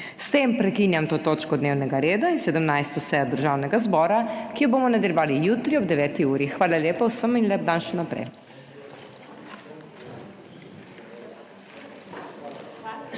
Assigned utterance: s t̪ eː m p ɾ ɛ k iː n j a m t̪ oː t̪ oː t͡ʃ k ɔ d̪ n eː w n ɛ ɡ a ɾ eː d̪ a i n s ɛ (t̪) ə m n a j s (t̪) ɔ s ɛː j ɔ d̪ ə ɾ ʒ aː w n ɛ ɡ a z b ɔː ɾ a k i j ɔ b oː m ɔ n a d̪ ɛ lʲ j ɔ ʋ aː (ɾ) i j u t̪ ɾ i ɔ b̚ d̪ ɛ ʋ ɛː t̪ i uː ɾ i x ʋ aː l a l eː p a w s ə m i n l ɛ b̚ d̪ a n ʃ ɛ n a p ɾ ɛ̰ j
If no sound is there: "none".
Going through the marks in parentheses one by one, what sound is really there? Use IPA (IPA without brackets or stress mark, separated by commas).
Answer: d̪, t̪, l